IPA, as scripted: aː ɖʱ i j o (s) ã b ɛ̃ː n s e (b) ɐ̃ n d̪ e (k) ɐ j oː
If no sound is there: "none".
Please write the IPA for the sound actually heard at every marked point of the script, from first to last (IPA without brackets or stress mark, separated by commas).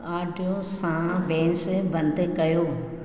s, b, k